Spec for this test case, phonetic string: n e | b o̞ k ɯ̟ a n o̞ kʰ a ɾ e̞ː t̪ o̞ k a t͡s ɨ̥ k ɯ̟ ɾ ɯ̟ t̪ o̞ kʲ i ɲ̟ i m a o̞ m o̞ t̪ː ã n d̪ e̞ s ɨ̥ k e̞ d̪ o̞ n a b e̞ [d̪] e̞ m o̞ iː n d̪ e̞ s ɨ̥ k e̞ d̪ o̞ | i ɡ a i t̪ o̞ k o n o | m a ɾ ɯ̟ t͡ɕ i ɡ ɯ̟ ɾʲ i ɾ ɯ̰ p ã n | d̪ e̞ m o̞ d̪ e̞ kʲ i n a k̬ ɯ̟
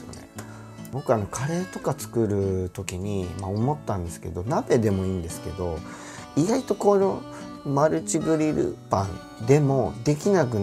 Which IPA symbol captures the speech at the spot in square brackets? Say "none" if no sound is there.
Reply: d̪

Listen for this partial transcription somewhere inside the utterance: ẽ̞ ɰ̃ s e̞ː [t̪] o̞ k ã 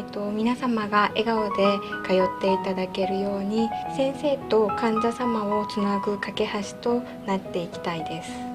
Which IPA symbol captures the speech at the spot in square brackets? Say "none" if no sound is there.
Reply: t̪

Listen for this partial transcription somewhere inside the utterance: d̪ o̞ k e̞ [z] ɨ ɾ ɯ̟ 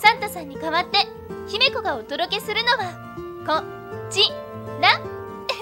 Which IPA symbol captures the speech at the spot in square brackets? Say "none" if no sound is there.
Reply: s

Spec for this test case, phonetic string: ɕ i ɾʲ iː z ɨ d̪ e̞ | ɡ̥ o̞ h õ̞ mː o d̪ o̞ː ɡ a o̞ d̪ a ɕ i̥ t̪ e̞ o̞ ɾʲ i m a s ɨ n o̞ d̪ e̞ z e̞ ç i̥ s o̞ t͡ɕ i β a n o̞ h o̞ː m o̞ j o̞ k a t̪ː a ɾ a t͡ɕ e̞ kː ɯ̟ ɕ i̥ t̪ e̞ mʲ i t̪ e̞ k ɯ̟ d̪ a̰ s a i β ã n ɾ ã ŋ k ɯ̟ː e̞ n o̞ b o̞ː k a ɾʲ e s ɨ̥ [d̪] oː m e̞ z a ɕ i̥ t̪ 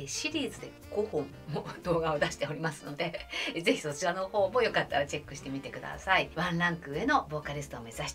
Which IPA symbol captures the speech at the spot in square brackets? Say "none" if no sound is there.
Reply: t̪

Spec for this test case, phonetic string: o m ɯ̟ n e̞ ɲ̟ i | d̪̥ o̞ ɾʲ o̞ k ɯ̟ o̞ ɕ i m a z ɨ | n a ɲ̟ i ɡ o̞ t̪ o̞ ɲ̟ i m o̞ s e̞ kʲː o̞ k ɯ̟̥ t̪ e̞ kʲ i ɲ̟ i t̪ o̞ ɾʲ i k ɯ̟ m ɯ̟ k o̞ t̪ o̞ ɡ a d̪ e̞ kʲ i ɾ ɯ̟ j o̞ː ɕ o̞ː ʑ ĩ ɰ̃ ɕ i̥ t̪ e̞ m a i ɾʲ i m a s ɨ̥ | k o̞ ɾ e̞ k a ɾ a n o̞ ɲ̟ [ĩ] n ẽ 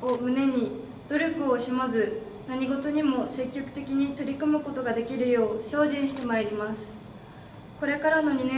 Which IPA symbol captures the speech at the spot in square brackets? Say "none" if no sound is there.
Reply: i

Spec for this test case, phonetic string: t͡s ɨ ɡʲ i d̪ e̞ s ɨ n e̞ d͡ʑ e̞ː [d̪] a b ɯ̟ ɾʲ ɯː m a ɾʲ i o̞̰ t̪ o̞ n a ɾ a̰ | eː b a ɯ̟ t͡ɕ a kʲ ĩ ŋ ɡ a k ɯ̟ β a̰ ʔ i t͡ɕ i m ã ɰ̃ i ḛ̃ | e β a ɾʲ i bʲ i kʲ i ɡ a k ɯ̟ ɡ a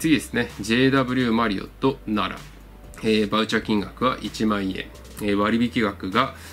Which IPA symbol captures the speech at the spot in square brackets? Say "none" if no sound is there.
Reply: d̪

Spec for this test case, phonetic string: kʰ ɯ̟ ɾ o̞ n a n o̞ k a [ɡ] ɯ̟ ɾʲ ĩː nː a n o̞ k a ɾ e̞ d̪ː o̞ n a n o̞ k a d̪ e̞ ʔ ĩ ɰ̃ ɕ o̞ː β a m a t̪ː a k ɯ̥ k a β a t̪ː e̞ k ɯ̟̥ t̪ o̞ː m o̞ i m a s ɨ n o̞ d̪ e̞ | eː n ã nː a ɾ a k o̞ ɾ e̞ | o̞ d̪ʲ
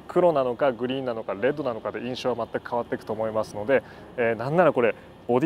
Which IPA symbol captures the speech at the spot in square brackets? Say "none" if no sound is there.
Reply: ɡ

